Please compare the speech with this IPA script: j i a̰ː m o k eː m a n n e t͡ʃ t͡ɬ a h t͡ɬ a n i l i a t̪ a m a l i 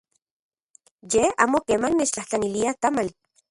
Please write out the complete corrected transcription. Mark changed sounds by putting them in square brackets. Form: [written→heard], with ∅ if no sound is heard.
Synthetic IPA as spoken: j [i→e] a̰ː m o k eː m a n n e t͡ʃ t͡ɬ a h t͡ɬ a n i l i a t̪ a m a l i